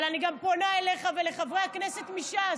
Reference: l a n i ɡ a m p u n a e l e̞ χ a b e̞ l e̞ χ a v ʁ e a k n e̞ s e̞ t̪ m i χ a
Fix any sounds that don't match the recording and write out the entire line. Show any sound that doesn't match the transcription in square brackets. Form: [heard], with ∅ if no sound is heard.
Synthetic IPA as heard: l a n i ɡ a m p [o] n a e l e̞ χ a [v] e̞ l e̞ χ a v ʁ e a k n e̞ s e̞ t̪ m i [ʃ] a